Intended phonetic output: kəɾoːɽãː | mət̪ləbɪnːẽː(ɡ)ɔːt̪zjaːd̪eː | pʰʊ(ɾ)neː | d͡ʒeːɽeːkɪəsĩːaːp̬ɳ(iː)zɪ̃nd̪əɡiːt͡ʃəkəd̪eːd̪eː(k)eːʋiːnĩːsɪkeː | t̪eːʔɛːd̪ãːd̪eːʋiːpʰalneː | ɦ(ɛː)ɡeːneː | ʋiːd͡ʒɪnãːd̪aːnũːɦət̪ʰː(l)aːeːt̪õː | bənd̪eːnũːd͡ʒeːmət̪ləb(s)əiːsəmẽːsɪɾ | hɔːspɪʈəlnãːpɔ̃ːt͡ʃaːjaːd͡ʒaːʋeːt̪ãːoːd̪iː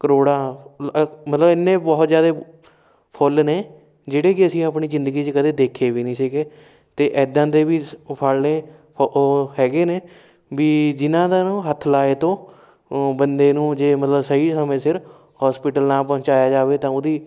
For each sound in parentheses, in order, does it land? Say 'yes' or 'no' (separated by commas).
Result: no, no, yes, no, yes, yes, yes